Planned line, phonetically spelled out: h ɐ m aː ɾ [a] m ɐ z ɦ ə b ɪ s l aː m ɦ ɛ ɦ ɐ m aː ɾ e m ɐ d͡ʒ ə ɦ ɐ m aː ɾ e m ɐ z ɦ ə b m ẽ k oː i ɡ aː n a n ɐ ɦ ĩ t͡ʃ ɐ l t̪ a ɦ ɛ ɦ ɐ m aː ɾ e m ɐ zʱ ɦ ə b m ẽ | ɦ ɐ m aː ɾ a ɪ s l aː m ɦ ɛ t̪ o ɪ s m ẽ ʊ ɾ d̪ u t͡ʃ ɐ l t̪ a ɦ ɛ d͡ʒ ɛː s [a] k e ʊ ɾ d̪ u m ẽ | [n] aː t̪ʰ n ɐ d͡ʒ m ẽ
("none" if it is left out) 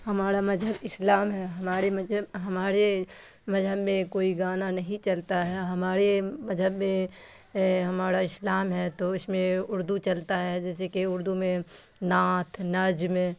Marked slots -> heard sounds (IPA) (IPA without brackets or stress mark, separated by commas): a, e, n